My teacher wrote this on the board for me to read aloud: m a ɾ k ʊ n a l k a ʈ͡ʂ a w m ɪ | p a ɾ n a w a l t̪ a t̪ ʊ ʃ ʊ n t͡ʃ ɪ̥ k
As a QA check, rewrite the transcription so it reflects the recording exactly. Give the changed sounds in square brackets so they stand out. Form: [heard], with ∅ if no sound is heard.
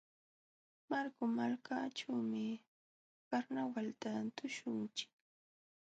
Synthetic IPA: m a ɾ k ʊ [m] a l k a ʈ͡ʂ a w m ɪ | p a ɾ n a w a l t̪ a t̪ ʊ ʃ ʊ n t͡ʃ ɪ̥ k